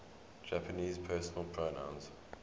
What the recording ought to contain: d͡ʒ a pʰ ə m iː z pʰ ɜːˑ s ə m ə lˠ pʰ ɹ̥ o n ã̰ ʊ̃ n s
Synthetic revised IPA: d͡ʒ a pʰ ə n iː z pʰ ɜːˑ s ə n ə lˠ pʰ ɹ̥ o n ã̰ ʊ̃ n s